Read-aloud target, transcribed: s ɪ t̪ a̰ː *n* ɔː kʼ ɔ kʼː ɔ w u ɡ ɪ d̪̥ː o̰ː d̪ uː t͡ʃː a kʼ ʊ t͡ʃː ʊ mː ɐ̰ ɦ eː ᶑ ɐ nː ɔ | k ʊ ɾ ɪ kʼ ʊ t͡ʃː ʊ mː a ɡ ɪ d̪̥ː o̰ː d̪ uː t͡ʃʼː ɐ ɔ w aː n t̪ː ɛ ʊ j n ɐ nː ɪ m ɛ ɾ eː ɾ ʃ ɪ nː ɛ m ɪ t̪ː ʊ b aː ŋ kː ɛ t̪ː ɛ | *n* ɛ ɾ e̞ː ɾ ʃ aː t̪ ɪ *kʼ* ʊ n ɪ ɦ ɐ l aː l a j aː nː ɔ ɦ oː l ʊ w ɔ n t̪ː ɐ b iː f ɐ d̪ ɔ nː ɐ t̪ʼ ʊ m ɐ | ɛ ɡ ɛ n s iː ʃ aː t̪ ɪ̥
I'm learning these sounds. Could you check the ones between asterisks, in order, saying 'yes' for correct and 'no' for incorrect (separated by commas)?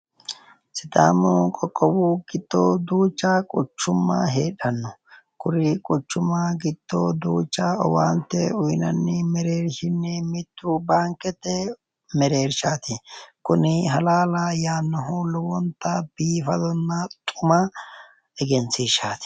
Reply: no, no, no